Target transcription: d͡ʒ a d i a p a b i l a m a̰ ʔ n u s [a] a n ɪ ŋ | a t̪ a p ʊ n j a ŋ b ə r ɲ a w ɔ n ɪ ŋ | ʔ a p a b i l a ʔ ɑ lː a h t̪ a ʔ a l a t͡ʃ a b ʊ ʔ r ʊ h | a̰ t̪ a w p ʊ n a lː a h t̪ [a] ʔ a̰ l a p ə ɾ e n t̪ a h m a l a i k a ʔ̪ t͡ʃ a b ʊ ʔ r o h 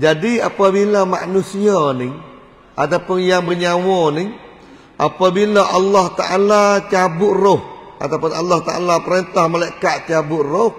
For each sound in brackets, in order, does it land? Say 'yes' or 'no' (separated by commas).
no, yes